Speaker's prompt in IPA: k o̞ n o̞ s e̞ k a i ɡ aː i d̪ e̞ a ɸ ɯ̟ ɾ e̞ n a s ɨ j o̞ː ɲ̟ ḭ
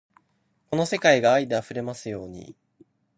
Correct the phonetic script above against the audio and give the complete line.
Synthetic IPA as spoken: k o̞ n o̞ s e̞ k a i ɡ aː i d̪ e̞ a ɸ ɯ̟ ɾ e̞ m a s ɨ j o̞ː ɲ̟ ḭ